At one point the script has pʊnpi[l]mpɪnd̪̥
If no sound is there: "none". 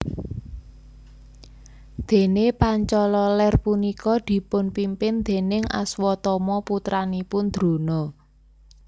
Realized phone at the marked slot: none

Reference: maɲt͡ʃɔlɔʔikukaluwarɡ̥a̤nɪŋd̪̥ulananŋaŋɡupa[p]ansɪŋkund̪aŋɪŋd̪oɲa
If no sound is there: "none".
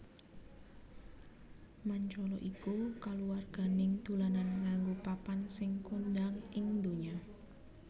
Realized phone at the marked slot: p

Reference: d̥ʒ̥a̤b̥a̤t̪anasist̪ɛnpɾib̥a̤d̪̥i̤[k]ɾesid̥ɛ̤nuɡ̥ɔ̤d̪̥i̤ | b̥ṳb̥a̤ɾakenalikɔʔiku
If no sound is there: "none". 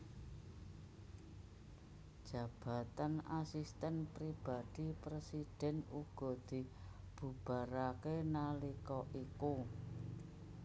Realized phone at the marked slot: p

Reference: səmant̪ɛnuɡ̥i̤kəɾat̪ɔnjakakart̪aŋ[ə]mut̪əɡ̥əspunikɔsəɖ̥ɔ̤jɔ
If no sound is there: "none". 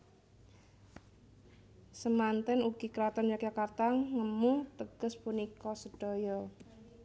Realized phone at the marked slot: ə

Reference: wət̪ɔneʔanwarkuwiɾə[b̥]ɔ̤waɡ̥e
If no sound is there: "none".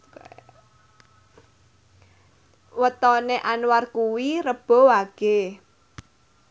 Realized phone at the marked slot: b̥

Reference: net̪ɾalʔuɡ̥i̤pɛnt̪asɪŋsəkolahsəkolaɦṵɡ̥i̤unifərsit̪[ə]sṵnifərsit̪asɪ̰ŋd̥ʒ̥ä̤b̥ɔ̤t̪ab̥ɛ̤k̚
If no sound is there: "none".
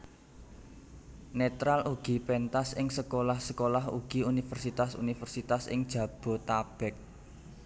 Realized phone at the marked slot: a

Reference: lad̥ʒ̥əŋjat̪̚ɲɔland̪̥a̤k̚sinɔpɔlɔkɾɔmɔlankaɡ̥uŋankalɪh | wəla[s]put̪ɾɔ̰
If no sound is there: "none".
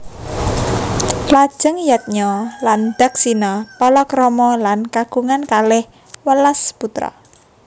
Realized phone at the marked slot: s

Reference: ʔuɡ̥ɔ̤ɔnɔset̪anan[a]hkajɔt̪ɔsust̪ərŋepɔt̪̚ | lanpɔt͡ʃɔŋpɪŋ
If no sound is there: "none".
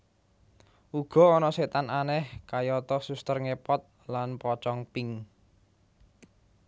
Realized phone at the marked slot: ɛ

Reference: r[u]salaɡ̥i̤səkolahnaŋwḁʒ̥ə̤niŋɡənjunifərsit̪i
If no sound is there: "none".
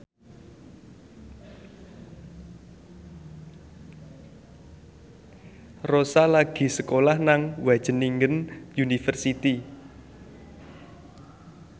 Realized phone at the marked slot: o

